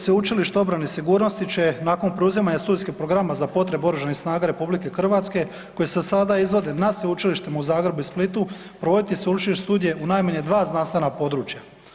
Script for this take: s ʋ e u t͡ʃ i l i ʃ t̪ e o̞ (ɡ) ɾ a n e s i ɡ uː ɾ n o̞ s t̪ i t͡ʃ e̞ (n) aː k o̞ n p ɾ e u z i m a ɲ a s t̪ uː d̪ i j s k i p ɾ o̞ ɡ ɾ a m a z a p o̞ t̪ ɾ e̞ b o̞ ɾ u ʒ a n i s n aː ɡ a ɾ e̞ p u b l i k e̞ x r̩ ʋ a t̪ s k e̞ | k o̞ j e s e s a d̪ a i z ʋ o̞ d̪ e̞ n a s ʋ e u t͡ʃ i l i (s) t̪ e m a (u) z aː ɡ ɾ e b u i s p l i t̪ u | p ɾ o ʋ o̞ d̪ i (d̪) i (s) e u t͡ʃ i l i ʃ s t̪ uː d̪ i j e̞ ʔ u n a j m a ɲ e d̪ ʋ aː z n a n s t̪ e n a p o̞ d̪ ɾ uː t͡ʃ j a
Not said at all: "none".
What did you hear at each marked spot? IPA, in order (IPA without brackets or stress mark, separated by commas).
b, n, ʃ, u, t̪, s